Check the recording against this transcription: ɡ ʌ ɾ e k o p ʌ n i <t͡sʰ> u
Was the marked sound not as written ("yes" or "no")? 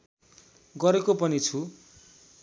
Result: no